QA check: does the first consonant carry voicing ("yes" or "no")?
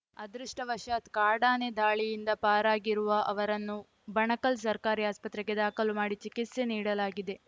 yes